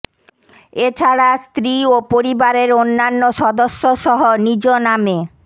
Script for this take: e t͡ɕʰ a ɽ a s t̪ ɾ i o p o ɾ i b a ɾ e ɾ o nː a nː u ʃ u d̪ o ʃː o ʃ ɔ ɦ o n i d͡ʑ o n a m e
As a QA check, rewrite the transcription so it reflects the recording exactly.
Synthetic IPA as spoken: e t͡ɕʰ a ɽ a s t̪ ɾ i o p o ɾ i b a ɾ e ɾ o nː a nː o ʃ ɔ d̪ o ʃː o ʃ ɔ ɦ o n i d͡ʑ o n a m e

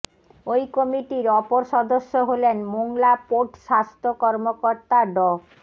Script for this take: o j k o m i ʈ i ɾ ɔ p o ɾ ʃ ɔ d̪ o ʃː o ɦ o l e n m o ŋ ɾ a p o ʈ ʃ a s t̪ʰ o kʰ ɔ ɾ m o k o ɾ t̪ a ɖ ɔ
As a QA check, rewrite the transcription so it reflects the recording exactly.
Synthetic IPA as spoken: o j k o m i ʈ i ɾ ɔ p o ɾ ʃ ɔ d̪ o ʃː o ɦ o l e n m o ŋ l a p o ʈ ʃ a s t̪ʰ o k ɔ ɾ m o k o ɾ t̪ a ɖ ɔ

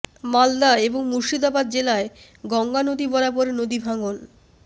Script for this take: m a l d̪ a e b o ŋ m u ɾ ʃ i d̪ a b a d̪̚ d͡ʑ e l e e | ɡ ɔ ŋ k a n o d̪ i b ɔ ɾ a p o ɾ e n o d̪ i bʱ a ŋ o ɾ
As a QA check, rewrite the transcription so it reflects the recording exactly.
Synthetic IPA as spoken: m a l d̪ a e b o ŋ m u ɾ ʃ i d̪ a b a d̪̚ d͡ʑ e l a e | ɡ ɔ ŋ ɡ a n o d̪ i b ɔ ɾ a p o ɾ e n o d̪ i bʱ a ŋ o l

